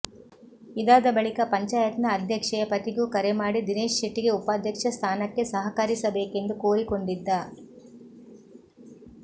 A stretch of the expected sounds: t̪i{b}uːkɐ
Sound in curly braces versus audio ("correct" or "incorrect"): incorrect